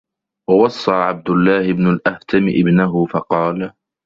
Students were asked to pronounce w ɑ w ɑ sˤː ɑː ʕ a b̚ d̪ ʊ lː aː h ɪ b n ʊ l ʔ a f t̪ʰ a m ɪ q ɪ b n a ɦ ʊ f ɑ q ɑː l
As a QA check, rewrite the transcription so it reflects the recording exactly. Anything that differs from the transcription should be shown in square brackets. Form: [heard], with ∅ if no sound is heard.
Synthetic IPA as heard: w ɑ w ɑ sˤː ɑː ʕ a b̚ d̪ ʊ lː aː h ɪ b n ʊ l ʔ a [h] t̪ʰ a m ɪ [ʔ] ɪ b n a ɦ ʊ f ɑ q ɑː l